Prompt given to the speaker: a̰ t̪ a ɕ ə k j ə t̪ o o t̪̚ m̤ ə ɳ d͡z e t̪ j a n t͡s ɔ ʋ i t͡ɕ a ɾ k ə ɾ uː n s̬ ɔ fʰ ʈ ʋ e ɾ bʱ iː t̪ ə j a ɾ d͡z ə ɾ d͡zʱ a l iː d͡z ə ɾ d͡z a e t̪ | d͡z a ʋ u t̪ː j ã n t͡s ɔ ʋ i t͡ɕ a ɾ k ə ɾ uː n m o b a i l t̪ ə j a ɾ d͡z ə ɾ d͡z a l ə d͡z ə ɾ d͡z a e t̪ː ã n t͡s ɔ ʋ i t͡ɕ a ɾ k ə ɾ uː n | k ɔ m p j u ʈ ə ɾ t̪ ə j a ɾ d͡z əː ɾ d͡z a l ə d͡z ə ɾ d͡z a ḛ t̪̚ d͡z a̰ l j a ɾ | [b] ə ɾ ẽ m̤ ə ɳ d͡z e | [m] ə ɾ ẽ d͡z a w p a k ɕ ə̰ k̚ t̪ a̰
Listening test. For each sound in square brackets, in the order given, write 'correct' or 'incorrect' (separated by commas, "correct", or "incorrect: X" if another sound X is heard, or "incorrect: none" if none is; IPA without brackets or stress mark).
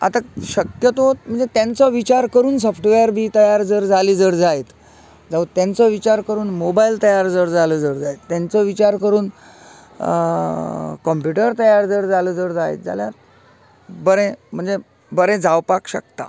correct, incorrect: b